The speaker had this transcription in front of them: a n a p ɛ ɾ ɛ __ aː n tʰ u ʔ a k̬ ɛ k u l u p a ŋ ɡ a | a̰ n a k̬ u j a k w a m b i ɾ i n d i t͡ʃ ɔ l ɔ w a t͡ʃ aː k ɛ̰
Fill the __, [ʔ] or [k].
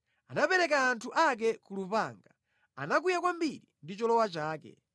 k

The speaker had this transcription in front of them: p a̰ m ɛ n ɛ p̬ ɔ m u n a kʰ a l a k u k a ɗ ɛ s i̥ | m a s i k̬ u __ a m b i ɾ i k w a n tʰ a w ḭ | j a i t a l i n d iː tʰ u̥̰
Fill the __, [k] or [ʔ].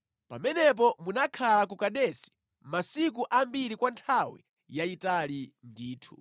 ʔ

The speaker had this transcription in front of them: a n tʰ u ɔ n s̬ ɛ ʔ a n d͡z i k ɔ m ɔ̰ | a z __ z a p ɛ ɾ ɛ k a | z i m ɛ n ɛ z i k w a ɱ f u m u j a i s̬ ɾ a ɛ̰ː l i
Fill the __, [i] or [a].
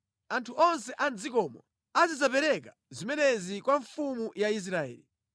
i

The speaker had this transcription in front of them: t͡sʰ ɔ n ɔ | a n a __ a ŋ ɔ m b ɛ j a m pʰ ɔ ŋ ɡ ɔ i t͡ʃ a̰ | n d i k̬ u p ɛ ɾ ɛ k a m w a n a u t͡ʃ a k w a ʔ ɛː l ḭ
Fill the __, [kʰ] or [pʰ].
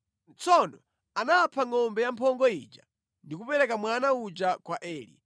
pʰ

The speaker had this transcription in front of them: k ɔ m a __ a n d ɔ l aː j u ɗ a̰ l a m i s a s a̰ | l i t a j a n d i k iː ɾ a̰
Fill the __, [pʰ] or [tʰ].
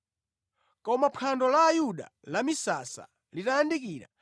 pʰ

